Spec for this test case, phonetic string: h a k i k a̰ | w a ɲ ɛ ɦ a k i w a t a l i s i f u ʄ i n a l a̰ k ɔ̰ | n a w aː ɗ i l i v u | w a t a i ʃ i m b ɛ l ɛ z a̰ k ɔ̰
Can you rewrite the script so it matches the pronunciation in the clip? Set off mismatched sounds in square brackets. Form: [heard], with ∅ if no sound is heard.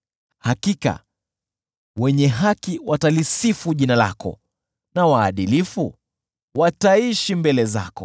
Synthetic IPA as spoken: h a k i k a̰ | w [ɛ] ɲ ɛ ɦ a k i w a t a l i s i f u ʄ i n a l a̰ k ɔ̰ | n a w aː ɗ i l i [f] u | w a t a i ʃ i m b ɛ l ɛ z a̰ k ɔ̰